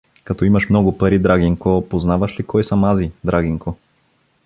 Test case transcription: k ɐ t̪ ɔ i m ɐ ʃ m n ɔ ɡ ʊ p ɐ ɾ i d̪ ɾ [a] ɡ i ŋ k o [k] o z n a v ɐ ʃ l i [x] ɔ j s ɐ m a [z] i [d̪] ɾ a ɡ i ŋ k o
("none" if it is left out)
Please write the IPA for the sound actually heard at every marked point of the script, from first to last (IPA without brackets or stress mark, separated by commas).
a, p, k, z, d̪